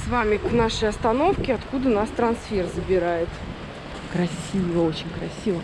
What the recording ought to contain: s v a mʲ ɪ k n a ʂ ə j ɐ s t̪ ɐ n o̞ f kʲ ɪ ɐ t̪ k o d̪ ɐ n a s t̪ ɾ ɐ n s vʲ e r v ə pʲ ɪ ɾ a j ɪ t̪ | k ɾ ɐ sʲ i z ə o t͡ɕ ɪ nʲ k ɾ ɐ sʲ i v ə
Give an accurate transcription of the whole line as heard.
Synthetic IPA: s v a mʲ ɪ k n a ʂ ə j ɐ s t̪ ɐ n o̞ f kʲ ɪ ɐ t̪ k u d̪ ə n a s t̪ ɾ ɐ n s fʲ e r z ə bʲ ɪ ɾ a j ɪ t̪ | k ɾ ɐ sʲ i v ə o t͡ɕ ɪ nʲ k ɾ ɐ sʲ i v ə